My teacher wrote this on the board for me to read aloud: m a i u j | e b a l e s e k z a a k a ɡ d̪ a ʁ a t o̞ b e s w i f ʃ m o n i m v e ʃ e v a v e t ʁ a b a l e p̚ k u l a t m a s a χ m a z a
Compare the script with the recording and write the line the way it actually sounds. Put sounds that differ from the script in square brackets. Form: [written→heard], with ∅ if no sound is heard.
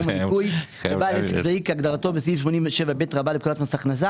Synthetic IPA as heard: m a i u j | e b a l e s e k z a [a→i] k a ɡ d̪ a ʁ a t o̞ b e s [w→v] i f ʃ m o n i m v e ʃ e v a [v→b] e t ʁ a b a l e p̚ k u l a t m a s a χ [m→n] a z a